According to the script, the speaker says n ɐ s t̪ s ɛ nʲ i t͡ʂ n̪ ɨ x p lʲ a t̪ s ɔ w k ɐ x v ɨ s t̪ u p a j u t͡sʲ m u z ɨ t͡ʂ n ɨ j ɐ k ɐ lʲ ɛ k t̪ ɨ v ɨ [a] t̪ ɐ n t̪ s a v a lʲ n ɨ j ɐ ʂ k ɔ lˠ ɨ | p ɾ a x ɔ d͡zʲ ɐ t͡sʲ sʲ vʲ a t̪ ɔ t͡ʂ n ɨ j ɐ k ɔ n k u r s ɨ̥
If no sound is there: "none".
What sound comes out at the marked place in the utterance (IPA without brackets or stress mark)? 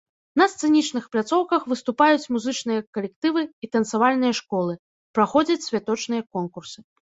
i